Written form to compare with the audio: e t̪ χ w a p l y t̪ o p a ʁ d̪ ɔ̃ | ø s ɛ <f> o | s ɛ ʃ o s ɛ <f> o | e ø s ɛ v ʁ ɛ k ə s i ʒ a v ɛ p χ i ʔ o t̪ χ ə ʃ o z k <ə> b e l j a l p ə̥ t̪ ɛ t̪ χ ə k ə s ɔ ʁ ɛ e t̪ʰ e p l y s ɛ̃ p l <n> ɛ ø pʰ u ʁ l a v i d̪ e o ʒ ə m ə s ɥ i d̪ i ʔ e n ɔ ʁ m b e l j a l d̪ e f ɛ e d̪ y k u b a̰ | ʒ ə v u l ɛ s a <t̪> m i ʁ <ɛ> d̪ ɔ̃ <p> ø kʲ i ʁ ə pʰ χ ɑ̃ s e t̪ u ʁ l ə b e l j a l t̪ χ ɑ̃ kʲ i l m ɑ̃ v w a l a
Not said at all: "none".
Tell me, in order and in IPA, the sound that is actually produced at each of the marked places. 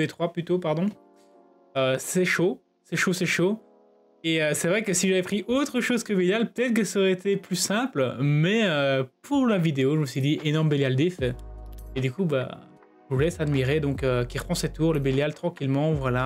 ʃ, ʃ, ə, m, d̪, e, k

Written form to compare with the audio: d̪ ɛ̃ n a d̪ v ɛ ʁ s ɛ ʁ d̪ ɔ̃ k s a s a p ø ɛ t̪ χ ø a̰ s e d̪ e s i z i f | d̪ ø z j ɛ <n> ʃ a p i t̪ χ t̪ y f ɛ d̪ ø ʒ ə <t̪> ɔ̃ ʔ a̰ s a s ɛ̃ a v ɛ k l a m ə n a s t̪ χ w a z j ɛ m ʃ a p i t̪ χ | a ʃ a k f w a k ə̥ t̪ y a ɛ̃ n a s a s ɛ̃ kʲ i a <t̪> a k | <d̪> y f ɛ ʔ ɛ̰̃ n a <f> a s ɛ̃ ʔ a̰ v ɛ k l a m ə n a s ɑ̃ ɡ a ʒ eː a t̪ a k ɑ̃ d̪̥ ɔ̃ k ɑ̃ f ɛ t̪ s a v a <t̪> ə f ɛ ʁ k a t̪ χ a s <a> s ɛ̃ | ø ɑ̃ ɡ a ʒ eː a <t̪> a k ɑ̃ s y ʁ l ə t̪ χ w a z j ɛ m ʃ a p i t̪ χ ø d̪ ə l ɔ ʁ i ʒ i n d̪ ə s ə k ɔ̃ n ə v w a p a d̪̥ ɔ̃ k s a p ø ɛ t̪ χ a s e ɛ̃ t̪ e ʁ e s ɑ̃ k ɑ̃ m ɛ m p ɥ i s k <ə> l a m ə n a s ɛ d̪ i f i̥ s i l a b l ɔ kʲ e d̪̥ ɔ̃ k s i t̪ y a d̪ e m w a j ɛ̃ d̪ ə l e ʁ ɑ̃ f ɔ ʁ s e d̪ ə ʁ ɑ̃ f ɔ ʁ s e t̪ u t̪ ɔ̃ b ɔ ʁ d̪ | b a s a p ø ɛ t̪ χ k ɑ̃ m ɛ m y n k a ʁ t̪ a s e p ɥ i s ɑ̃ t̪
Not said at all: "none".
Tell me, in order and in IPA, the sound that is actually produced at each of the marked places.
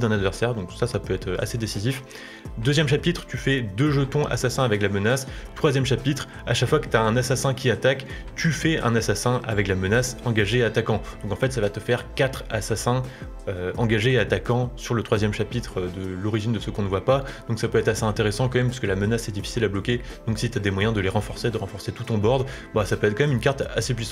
m, t̪, t̪, t̪, s, t̪, a, t̪, ə

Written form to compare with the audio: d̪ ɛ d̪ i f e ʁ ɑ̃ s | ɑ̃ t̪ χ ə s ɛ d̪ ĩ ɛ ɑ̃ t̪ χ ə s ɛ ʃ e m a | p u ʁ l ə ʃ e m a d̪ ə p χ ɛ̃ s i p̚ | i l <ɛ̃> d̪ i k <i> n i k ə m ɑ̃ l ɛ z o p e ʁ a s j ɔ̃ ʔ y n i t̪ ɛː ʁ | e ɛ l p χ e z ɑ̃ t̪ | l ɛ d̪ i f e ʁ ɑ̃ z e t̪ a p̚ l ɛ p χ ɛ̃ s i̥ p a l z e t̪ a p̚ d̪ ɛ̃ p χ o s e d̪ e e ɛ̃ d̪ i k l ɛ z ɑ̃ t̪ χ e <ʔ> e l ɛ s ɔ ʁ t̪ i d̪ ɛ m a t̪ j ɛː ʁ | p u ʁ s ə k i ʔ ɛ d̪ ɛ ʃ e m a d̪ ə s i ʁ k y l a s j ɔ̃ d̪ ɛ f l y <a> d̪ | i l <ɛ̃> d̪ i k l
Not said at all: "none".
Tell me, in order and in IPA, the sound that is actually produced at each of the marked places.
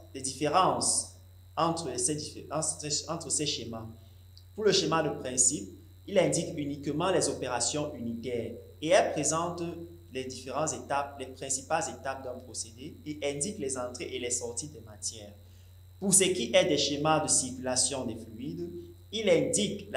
ɛ̃, y, ʔ, i, ɛ̃

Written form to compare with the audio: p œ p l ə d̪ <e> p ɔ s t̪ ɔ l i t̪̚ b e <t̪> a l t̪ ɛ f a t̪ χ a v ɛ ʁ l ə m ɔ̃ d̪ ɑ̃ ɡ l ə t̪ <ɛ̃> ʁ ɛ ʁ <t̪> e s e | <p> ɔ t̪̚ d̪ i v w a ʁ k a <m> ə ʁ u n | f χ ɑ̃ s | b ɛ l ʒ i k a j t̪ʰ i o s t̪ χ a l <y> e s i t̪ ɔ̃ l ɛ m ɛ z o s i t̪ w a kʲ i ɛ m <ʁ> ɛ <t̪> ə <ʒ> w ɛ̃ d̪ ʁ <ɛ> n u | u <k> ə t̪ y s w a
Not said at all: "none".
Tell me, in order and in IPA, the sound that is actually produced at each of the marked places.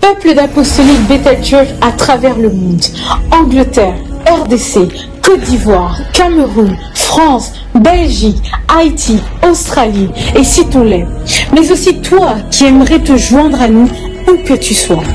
a, t̪, ɛ, d̪, k, m, i, ʁ, t̪, ʒ, a, k

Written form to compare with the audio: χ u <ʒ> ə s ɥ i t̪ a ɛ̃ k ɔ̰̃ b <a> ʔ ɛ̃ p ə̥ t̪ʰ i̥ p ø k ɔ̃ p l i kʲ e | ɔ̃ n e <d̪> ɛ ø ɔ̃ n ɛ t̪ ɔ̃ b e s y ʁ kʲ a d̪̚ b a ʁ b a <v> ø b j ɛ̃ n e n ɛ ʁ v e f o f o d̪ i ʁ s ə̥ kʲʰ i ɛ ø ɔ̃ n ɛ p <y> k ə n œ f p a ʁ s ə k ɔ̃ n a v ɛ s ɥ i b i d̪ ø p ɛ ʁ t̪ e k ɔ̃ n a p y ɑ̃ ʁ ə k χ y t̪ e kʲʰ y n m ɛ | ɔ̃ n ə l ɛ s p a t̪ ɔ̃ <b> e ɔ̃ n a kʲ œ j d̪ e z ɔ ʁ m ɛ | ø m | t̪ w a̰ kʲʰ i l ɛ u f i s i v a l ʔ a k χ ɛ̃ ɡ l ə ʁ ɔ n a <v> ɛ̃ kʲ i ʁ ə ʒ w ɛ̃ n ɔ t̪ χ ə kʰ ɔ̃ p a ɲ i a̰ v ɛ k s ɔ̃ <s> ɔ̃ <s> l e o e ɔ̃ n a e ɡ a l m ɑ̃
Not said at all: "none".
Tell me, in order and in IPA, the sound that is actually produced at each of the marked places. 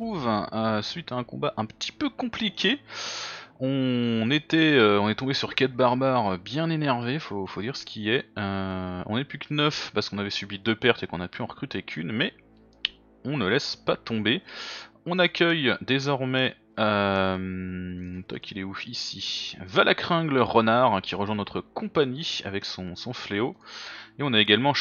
v, a, t̪, ʁ, y, b, ʁ, s, f

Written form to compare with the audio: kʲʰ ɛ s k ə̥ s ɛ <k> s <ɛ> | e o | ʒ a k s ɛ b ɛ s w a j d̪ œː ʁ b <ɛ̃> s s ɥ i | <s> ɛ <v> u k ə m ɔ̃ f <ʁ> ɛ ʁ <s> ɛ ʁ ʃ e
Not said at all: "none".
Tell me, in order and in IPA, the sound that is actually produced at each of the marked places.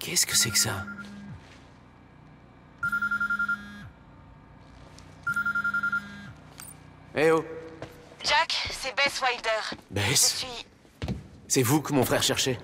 k, a, ɛ, s, v, χ, ʃ

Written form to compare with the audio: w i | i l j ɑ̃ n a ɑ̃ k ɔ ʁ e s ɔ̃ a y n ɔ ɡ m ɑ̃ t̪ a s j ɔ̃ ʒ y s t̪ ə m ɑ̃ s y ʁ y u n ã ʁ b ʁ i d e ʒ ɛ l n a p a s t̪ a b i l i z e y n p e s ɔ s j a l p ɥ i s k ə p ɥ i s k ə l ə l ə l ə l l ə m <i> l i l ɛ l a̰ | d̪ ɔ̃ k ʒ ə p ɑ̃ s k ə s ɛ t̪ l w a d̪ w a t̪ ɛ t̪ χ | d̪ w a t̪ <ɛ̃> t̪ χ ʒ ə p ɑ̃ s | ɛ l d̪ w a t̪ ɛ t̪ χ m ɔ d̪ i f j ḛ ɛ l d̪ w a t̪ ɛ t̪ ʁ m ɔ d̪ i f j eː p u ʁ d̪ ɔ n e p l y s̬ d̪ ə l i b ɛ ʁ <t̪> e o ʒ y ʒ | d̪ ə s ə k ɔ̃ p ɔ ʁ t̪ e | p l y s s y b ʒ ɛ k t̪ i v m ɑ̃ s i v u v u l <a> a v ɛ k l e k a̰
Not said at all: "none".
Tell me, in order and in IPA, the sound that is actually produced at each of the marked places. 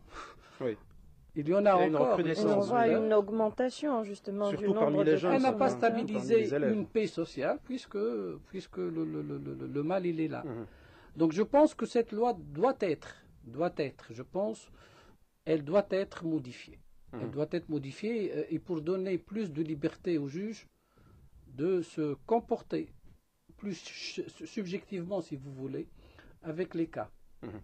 a, ɛ, t̪, e

